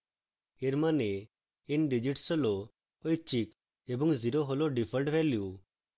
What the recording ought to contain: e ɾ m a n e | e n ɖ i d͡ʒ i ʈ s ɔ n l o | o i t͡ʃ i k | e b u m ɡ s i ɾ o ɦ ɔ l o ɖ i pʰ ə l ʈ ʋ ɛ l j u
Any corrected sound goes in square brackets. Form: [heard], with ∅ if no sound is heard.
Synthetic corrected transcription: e ɾ m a n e | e n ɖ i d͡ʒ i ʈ s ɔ [∅] l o | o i t͡ʃ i k | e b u [ŋ] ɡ [z] i ɾ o ɦ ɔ l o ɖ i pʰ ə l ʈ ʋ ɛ l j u